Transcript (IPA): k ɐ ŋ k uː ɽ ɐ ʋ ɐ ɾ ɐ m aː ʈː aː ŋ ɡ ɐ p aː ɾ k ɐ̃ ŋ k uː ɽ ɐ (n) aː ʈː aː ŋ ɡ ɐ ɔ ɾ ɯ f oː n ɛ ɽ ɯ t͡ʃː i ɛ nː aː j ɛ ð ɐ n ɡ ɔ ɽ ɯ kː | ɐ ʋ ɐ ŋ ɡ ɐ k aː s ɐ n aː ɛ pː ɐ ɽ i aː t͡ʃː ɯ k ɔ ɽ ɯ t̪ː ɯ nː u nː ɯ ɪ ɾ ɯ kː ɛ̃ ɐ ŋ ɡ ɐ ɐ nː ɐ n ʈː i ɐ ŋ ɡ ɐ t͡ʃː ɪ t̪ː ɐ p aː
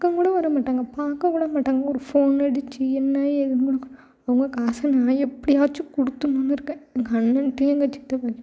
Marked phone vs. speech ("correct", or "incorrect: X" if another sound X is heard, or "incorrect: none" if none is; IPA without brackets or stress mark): incorrect: m